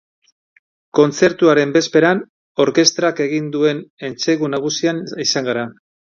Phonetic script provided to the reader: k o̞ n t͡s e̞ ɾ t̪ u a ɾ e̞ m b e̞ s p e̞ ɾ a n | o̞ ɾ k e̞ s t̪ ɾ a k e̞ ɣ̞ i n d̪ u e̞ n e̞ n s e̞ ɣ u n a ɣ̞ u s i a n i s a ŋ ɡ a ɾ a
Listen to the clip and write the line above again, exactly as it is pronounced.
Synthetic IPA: k o̞ n t͡s e̞ ɾ t̪ u a ɾ e̞ m b e̞ s p e̞ ɾ a n | o̞ ɾ k e̞ s t̪ ɾ a k e̞ ɣ̞ i n d̪ u e̞ n e̞ n t͡s e̞ ɣ u n a ɣ̞ u s i a n i s a ŋ ɡ a ɾ a